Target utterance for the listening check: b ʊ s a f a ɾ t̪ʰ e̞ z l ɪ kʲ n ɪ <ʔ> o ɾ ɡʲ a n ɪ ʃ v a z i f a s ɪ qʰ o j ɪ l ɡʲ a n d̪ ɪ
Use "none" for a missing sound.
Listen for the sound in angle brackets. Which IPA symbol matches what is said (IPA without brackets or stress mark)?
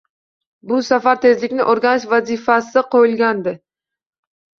ʔ